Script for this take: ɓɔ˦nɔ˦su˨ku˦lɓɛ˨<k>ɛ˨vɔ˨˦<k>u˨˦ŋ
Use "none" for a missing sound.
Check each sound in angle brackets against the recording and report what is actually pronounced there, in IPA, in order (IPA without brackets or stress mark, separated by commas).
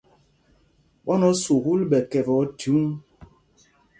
k, t